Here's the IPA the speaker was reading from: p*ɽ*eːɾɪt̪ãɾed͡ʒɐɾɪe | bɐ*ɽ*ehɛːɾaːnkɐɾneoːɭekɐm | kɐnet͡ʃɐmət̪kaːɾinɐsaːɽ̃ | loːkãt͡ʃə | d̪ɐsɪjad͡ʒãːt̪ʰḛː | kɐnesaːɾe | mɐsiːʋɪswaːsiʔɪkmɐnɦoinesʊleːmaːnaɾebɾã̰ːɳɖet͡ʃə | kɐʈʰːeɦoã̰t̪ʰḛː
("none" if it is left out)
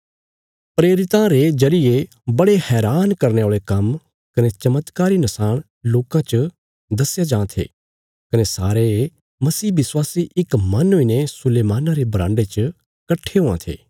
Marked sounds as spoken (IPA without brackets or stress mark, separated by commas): ɾ, ɽ